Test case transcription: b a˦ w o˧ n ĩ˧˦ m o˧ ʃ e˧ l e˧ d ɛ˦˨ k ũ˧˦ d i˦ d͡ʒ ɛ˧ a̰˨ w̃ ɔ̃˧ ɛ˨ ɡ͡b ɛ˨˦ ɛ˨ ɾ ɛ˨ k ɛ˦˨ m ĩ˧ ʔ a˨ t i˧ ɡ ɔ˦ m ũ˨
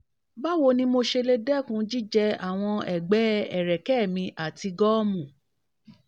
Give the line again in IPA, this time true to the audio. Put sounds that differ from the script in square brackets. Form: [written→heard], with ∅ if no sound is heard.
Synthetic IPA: b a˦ w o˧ n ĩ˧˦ m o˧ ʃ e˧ l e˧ d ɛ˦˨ k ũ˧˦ [d→d͡ʒ] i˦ d͡ʒ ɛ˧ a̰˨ w̃ ɔ̃˧ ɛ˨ ɡ͡b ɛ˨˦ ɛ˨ ɾ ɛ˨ k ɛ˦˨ m ĩ˧ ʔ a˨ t i˧ ɡ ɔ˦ m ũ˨